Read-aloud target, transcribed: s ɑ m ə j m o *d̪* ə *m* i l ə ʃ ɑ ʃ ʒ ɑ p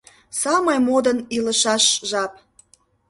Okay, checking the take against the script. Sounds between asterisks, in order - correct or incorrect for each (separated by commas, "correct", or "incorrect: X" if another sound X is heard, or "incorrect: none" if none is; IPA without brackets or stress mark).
correct, incorrect: n